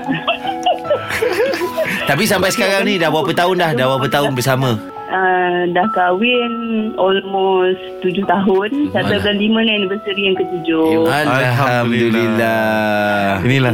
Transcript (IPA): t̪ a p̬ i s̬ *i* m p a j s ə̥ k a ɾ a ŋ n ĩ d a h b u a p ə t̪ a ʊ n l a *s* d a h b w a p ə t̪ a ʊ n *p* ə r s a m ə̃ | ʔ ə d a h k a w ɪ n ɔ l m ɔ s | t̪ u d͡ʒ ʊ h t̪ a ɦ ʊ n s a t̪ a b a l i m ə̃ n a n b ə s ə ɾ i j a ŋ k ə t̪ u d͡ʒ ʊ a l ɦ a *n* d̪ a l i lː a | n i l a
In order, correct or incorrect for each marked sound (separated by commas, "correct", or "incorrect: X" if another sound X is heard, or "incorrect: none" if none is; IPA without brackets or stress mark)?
incorrect: a, incorrect: h, incorrect: b, incorrect: m